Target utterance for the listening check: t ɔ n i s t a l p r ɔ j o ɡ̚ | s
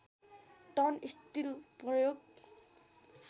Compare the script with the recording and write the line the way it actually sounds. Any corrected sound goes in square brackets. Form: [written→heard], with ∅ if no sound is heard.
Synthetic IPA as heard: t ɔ n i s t [a→i] l p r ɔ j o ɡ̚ | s